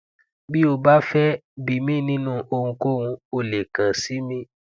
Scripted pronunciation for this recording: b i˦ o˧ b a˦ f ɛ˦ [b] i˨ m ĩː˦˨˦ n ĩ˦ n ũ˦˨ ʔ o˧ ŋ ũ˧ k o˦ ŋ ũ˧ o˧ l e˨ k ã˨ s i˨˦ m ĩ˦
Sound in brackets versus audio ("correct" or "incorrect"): correct